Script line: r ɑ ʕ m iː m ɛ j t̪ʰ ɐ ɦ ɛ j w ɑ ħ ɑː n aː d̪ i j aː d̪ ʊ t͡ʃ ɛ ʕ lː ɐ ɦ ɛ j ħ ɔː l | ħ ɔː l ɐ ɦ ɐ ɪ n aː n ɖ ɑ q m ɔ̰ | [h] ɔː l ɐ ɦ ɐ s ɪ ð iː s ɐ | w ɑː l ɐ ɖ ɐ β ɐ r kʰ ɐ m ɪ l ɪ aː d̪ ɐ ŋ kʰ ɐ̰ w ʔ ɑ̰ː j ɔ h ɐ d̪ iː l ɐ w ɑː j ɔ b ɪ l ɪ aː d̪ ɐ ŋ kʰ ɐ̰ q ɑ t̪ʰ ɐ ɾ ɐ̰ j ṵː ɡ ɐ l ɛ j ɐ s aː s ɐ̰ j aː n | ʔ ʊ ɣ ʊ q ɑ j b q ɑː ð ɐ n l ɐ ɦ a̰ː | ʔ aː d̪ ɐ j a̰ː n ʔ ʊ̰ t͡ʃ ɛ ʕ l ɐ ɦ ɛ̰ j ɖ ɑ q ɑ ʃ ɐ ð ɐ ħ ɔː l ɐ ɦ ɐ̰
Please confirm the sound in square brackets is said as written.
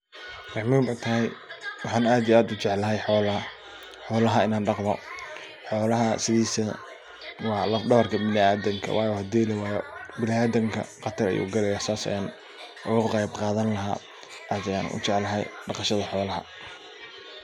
no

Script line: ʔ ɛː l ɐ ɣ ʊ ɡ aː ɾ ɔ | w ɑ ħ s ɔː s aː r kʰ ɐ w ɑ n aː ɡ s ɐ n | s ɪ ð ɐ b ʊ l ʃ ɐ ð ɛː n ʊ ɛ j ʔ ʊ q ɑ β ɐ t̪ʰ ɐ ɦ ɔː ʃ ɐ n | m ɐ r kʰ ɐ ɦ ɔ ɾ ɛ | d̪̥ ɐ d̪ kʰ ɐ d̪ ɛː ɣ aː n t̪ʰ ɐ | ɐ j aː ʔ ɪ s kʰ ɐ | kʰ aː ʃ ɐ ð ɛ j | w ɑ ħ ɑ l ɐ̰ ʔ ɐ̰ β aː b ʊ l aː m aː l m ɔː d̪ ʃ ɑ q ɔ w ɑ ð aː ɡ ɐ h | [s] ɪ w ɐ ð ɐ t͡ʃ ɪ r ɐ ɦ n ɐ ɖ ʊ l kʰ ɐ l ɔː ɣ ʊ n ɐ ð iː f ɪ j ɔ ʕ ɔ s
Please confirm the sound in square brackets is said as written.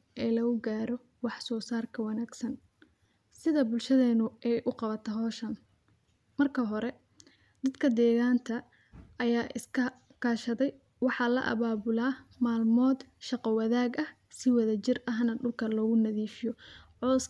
yes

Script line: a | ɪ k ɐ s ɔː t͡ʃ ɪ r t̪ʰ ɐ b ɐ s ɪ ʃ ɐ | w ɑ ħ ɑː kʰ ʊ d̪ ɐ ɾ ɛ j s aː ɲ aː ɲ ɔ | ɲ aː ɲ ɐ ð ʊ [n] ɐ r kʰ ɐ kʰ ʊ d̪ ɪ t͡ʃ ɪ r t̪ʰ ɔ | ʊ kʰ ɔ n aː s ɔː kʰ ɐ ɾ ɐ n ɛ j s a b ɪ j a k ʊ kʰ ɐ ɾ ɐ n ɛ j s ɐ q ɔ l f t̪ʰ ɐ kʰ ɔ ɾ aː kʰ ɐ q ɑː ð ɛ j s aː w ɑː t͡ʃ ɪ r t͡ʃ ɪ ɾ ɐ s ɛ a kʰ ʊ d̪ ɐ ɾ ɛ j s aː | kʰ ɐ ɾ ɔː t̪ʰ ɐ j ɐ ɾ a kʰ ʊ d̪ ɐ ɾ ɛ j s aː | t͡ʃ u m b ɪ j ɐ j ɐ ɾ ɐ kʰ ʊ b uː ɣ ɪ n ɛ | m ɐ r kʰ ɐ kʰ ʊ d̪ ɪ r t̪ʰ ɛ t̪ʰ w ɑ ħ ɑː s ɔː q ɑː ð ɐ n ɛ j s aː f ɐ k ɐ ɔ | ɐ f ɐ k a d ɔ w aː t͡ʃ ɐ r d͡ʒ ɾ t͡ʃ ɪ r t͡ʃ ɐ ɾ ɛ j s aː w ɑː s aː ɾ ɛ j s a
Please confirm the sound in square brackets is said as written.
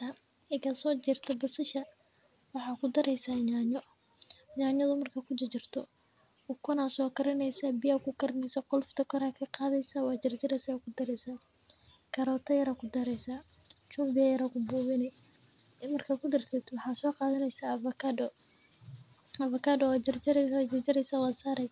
no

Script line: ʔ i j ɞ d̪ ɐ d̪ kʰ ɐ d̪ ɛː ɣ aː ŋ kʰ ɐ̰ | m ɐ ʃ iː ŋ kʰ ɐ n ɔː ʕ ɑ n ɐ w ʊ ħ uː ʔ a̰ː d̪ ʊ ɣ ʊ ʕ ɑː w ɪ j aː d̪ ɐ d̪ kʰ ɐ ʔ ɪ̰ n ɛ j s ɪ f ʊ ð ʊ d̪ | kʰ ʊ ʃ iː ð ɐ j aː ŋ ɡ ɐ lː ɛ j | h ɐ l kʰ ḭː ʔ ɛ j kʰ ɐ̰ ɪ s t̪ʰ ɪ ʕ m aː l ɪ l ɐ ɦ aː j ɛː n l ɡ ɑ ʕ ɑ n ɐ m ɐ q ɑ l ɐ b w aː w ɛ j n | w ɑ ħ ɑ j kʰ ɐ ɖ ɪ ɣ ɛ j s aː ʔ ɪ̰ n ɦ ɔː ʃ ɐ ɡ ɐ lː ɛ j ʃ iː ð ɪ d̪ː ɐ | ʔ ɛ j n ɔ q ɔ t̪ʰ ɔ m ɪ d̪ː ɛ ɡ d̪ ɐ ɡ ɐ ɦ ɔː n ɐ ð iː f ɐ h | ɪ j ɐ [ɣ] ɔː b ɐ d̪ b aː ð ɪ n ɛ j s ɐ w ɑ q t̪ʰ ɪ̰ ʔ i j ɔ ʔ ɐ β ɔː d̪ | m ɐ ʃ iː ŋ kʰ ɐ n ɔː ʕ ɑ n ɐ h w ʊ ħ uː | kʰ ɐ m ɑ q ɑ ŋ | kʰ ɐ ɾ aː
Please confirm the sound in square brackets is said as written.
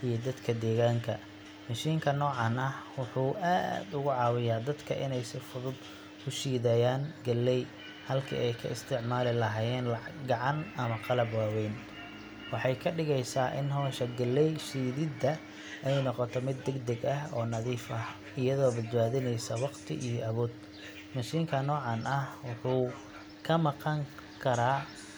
no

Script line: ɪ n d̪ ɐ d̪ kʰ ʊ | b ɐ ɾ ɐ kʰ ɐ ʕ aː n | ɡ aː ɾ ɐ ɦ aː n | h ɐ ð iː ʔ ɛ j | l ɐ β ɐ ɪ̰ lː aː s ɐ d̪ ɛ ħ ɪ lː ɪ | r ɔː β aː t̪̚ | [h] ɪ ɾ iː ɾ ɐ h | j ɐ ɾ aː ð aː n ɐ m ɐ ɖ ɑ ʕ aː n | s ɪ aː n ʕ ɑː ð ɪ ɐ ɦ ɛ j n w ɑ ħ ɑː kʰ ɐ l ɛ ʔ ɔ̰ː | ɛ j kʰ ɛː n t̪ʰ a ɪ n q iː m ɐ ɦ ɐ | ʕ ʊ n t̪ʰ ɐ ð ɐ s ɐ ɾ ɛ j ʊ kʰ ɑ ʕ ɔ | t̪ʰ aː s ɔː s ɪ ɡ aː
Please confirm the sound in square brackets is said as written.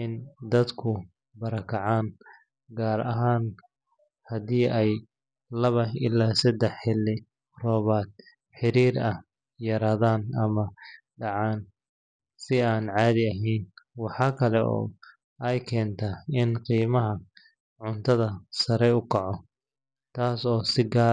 no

